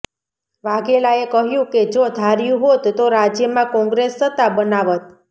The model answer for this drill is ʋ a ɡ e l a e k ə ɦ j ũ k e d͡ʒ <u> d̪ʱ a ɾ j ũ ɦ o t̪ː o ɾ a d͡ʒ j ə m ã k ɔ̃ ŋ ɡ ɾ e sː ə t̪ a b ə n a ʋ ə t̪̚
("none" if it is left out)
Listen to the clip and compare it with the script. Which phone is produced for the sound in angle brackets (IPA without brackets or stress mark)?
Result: o